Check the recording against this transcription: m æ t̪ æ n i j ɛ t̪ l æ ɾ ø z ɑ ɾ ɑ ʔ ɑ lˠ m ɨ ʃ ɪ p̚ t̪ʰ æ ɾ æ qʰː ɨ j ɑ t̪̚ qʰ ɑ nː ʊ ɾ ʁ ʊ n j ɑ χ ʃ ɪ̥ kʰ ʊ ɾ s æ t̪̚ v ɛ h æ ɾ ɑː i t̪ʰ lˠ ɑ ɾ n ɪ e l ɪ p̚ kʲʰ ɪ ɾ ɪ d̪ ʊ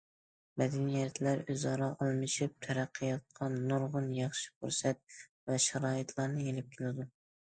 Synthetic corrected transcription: m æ d̪ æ n i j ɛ t̪ l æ ɾ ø z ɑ ɾ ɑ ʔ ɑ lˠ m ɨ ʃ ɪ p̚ t̪ʰ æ ɾ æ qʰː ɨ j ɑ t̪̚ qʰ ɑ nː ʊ ɾ ʁ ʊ n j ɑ χ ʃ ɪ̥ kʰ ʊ ɾ s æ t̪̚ v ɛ ʃ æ ɾ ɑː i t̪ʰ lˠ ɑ ɾ n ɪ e l ɪ p̚ kʲʰ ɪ l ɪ d̪ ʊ

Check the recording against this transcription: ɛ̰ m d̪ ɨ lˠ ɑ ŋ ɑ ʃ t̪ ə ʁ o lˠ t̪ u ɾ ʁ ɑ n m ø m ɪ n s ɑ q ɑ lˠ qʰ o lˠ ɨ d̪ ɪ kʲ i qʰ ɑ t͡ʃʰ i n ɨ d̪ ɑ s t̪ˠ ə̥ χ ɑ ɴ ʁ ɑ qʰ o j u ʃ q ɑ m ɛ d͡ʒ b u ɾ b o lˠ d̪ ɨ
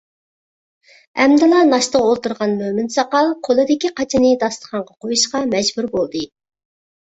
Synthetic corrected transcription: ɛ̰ m d̪ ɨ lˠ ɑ n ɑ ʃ t̪ ə ʁ o lˠ t̪ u ɾ ʁ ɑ n m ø m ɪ n s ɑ q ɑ lˠ qʰ o lˠ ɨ d̪ ɪ kʲ i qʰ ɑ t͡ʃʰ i n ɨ d̪ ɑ s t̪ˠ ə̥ χ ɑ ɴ ʁ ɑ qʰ o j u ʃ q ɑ m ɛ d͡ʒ b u ɾ b o lˠ d̪ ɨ

